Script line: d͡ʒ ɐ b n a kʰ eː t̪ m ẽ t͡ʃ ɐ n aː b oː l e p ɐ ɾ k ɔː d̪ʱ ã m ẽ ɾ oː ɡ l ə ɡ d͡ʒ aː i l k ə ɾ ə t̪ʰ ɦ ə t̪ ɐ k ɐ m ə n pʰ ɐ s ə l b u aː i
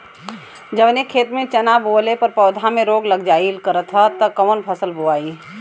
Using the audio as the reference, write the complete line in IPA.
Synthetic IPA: d͡ʒ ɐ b n e kʰ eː t̪ m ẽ t͡ʃ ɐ n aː b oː l e p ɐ ɾ p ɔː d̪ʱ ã m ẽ ɾ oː ɡ l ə ɡ d͡ʒ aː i l k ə ɾ ə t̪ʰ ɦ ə t̪ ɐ k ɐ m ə n pʰ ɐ s ə l b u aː i

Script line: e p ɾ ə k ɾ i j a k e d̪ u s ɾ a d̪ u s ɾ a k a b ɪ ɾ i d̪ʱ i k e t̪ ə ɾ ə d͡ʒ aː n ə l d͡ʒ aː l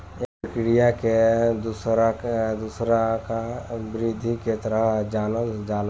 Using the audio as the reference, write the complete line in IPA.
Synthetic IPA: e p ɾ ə k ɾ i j a k e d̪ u s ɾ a d̪ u s ɾ a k a b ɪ ɾ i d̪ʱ i k e t̪ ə ɾ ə d͡ʒ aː n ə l d͡ʒ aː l

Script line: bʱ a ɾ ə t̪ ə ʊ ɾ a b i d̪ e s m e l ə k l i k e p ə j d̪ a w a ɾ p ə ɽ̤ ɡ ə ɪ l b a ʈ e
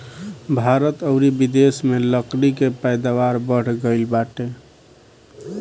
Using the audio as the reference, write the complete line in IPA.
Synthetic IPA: bʱ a ɾ ə t̪ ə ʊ ɾ i b i d̪ e s m e l ə k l i k e p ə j d̪ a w a ɾ b ə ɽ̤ ɡ ə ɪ l b a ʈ e

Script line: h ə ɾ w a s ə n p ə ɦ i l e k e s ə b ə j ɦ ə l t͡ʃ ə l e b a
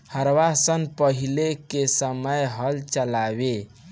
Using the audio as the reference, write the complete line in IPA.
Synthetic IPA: h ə ɾ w a s ə n p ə ɦ i l e k e s ə m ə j ɦ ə l t͡ʃ ə l a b e

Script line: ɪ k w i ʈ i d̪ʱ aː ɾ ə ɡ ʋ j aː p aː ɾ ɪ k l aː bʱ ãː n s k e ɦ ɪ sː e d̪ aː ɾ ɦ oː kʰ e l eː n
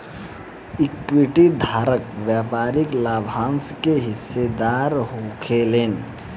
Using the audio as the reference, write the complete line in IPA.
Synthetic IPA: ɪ k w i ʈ i d̪ʱ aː ɾ ə k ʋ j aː p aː ɾ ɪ k l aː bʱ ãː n s k e ɦ ɪ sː e d̪ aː ɾ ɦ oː kʰ e l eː n

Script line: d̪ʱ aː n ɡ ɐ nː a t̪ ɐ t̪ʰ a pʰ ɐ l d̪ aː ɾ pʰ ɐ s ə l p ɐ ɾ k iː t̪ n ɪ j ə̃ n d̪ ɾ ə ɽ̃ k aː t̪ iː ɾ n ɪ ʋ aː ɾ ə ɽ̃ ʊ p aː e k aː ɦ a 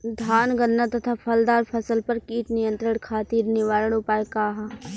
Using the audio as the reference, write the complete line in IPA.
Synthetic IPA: d̪ʱ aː n ɡ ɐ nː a t̪ ɐ t̪ʰ a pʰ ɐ l d̪ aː ɾ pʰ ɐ s ə l p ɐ ɾ k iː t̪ n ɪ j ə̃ n t̪ ɾ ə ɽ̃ kʰ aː t̪ iː ɾ n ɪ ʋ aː ɾ ə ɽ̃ ʊ p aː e k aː ɦ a

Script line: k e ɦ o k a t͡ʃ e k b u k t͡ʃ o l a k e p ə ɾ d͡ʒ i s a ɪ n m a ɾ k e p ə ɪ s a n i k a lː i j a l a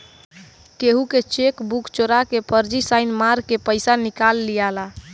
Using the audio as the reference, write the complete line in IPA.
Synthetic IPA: k e ɦ u k e t͡ʃ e k b u k t͡ʃ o ɾ a k e p ə ɾ d͡ʒ i s a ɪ n m a ɾ k e p ə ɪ s a n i k a lː i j a l a

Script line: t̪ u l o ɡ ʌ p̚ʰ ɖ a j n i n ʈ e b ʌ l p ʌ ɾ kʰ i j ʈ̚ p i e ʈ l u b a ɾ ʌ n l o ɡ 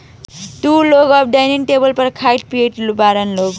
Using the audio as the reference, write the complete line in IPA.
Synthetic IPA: t̪ u l o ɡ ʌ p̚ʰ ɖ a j n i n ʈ e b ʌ l p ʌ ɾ kʰ a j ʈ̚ p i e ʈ l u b a ɾ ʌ n l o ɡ

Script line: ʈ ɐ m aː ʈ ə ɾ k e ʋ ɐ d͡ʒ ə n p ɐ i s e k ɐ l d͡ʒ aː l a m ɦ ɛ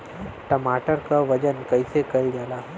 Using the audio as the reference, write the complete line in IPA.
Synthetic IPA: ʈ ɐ m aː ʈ ə ɾ k a ʋ ɐ d͡ʒ ə n k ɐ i s e k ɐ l d͡ʒ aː l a ɦ ɛ

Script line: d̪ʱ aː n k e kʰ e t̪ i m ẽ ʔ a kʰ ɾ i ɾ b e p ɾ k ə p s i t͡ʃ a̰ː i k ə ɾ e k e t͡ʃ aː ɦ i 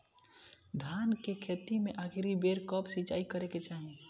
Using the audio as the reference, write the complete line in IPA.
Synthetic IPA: d̪ʱ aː n k e kʰ e t̪ i m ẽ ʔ a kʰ ɾ i b e ɾ k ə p s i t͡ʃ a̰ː i k ə ɾ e k e t͡ʃ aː ɦ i

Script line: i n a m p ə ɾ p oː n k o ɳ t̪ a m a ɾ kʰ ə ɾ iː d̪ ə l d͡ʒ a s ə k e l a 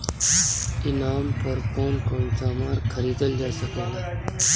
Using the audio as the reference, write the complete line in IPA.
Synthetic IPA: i n a m p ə ɾ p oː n k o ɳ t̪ a m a ɾ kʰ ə ɾ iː d̪ ə l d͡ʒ a s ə k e l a

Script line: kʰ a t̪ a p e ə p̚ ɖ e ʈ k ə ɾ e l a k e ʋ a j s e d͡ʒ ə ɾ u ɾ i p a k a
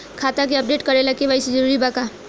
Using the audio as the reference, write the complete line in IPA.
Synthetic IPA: kʰ a t̪ a k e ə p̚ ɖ e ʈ k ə ɾ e l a k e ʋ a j s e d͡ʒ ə ɾ u ɾ i b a k a

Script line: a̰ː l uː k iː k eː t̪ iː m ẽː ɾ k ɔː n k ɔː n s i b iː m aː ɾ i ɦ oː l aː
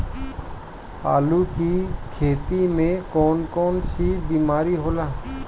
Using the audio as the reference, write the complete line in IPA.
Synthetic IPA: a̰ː l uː k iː kʰ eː t̪ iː m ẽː k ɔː n k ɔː n s i b iː m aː ɾ i ɦ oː l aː

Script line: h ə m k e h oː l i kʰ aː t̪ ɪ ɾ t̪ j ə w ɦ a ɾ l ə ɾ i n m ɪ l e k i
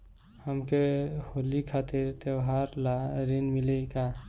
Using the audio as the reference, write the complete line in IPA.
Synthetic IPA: h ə m k e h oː l i kʰ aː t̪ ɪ ɾ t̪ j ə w ɦ a ɾ l a ɾ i n m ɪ l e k a

